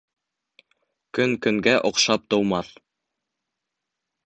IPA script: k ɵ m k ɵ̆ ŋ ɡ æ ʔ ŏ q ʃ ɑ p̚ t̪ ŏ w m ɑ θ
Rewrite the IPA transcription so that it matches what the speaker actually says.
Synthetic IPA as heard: k ɵ ŋ k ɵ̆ ŋ ɡ æ ʔ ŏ q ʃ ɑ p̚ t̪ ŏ w m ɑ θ